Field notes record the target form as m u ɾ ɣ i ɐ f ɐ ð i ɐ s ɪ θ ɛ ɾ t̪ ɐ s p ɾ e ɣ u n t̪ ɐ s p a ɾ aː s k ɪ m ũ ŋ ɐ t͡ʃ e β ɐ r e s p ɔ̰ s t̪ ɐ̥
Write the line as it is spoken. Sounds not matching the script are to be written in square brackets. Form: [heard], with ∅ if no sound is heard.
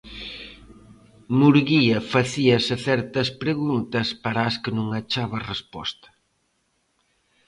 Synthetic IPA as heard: m u ɾ ɣ i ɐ f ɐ [θ] i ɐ s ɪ θ ɛ ɾ t̪ ɐ s p ɾ e ɣ u n t̪ ɐ s p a ɾ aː s k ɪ [n] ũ ŋ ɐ t͡ʃ [a] β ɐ r e s p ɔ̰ s t̪ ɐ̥